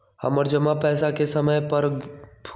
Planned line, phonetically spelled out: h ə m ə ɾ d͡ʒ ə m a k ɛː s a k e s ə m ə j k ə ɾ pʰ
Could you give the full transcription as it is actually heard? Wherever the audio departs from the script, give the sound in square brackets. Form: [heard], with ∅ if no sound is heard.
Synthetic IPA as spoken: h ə m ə ɾ d͡ʒ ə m a [p] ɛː s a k e s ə m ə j [p] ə ɾ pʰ